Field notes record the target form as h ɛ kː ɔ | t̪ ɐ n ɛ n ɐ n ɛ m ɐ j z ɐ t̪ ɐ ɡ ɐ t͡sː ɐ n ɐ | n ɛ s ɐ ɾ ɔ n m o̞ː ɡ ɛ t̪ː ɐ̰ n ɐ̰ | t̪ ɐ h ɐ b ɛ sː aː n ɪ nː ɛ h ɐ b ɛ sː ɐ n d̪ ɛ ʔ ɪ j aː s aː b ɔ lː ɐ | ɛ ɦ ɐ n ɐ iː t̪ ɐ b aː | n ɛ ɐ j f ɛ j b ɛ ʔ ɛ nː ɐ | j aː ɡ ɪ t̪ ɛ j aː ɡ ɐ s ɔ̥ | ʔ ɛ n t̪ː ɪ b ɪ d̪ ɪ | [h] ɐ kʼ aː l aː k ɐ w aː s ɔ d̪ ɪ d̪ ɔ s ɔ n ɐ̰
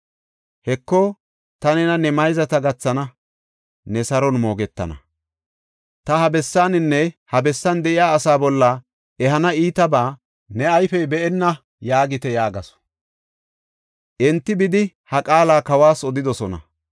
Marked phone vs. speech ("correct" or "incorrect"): correct